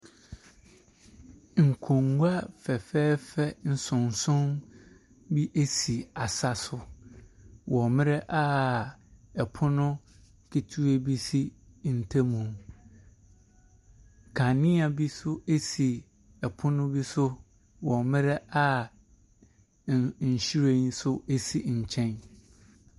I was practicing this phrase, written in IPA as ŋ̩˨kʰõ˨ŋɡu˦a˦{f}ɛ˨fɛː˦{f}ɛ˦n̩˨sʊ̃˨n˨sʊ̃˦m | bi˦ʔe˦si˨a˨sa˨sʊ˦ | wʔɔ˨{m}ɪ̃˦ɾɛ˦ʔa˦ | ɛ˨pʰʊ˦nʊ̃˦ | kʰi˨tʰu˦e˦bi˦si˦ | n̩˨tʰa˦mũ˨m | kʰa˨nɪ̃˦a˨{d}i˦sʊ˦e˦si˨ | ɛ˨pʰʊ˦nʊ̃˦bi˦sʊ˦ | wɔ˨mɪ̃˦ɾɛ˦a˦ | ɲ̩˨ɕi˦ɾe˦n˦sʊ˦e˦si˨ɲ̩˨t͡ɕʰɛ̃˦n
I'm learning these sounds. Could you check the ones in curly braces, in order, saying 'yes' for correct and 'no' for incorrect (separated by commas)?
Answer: yes, yes, yes, no